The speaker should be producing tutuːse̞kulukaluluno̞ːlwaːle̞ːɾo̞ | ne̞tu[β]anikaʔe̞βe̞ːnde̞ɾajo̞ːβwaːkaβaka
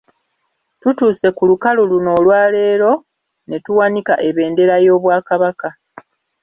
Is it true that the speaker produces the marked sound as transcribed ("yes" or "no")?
no